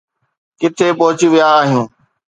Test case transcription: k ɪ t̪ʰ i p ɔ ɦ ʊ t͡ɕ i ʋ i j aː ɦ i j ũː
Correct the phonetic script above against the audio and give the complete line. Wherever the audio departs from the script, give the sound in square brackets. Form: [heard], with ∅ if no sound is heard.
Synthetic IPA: k ɪ t̪ʰ [e] p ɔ ɦ ʊ t͡ɕ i ʋ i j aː ɦ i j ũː